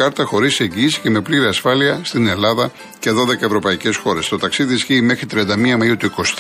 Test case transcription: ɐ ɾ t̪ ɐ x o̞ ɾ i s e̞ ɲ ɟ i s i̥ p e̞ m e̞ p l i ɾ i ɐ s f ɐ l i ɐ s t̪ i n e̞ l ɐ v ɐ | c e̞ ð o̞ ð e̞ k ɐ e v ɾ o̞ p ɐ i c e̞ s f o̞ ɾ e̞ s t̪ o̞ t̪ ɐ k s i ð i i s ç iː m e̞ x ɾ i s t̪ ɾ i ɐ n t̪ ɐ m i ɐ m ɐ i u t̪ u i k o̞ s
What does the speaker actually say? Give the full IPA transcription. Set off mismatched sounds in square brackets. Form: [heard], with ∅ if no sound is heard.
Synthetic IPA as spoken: ɐ ɾ t̪ ɐ x o̞ ɾ i s e̞ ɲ ɟ [iː] s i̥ [c] e̞ m e̞ p l i ɾ i ɐ s f ɐ l i ɐ s t̪ i n e̞ l ɐ [ð] ɐ | c e̞ ð o̞ ð e̞ k ɐ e v ɾ o̞ p ɐ i c e̞ s [x] o̞ ɾ e̞ s t̪ o̞ t̪ ɐ k s i ð i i s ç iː m e̞ x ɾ i [∅] t̪ ɾ i ɐ n [d̪] ɐ m i ɐ m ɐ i u t̪ u i k o̞ s